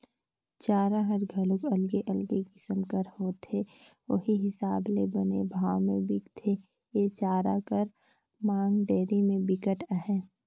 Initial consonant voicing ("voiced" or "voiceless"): voiceless